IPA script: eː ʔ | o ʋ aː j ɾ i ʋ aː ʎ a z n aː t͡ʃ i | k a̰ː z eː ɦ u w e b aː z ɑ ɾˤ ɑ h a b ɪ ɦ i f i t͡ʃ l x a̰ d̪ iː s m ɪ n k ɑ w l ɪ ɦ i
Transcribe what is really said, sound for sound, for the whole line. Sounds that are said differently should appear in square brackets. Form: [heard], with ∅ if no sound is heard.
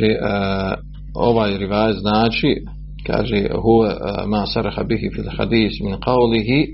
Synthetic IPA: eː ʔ | o ʋ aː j ɾ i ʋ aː [j] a z n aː t͡ʃ i | k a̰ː [ʒ] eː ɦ u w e [m] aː [s] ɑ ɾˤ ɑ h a b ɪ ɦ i f i [∅] l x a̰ d̪ iː s m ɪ n [q] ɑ w l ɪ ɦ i